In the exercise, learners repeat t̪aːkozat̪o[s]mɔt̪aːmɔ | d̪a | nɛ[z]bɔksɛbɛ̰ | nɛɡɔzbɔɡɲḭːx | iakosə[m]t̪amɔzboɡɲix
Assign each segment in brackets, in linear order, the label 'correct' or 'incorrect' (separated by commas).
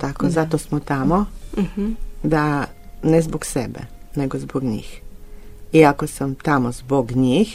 correct, correct, correct